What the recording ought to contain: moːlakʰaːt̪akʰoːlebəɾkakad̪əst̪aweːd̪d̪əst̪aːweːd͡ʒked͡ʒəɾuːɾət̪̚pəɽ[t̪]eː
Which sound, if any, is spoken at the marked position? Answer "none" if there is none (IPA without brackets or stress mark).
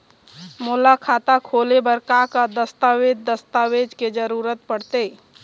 t̪